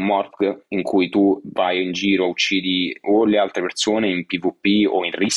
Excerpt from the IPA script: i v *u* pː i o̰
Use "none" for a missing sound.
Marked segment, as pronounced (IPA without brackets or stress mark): u